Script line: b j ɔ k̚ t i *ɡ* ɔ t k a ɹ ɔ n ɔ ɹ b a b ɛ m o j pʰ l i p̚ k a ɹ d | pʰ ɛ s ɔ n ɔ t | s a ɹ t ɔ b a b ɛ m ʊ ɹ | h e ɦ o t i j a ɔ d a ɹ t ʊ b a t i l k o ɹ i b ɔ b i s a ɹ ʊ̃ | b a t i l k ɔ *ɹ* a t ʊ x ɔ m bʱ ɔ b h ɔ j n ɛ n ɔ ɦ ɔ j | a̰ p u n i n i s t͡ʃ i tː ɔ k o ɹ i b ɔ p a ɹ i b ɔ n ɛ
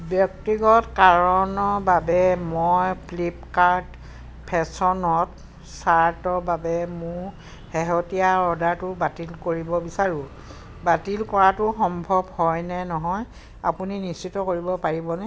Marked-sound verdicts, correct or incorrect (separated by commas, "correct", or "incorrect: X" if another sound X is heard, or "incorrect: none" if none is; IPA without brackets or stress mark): correct, correct